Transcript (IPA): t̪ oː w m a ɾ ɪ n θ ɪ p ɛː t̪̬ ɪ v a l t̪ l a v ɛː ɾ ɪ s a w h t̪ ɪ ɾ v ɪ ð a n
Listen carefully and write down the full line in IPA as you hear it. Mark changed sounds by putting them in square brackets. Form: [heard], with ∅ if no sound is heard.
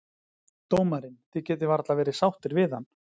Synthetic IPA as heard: t̪ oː w m a ɾ ɪ n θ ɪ [c] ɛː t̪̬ ɪ v a [ɾ] t̪ l a v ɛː ɾ ɪ s a w h t̪ ɪ ɾ v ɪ ð a n